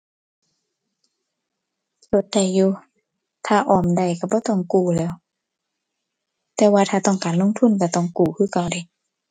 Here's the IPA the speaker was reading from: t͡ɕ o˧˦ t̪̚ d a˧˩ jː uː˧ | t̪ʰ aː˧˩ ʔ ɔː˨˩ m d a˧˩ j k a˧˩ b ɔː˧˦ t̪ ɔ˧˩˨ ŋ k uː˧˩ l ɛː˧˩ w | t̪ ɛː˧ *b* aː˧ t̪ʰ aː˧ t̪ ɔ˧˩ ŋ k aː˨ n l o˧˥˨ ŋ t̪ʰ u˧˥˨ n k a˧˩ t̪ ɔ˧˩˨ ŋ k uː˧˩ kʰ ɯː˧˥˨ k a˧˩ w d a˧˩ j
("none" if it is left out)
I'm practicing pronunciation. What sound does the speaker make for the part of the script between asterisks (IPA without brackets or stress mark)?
w